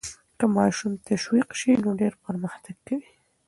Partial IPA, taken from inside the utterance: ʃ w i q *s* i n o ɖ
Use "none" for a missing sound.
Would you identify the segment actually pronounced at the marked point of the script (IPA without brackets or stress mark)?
ʃ